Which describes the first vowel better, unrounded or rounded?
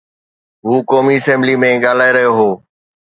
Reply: rounded